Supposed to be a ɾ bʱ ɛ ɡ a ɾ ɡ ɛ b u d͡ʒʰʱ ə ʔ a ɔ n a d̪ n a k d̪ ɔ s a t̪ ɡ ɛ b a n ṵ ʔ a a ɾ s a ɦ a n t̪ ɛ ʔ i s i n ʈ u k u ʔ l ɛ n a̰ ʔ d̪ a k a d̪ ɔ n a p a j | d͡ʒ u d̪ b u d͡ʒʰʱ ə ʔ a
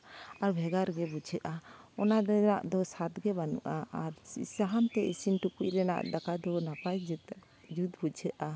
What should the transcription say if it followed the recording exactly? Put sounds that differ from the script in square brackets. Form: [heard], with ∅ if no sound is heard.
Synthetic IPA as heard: a ɾ bʱ ɛ ɡ a ɾ ɡ ɛ b u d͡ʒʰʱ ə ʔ a ɔ n a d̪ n a [ʔ] d̪ ɔ s a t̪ ɡ ɛ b a n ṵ ʔ a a ɾ s a ɦ a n t̪ ɛ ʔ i s i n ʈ u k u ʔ [ɾ] ɛ n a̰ ʔ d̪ a k a d̪ ɔ n a p a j | d͡ʒ u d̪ b u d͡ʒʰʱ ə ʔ a